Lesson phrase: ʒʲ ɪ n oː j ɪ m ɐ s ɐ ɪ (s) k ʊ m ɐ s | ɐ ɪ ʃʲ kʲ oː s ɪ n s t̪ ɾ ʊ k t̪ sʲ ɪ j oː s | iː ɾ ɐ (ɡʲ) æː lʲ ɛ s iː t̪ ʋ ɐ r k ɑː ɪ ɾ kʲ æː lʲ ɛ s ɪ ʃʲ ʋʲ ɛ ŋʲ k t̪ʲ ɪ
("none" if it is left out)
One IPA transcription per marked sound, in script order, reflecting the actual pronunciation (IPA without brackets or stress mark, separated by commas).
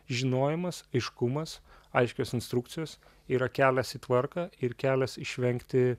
ʃ, kʲ